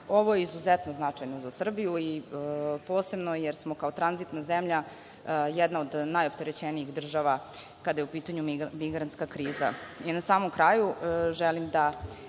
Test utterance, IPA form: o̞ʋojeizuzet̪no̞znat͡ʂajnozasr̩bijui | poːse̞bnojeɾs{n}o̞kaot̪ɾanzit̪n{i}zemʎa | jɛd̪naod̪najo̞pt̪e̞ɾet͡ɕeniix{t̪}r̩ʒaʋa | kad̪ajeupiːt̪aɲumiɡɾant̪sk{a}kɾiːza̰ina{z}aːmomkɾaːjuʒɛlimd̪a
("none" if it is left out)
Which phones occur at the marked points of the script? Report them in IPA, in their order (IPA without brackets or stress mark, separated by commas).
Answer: m, a, d̪, a, s